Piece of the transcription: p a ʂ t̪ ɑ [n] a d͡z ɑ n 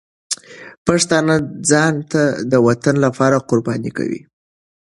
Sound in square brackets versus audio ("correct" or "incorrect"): correct